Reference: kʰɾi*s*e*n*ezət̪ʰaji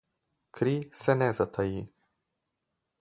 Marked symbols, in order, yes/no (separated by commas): yes, yes